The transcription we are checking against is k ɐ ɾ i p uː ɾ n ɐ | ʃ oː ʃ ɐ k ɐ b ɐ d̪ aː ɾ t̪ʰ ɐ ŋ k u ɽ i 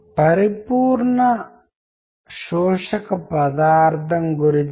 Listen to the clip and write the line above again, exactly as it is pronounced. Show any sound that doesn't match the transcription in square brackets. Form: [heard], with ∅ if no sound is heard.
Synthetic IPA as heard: [p] ɐ ɾ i p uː ɾ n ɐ | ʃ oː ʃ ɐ k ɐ [p] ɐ d̪ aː ɾ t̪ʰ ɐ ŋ [ɡ] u [ɾ] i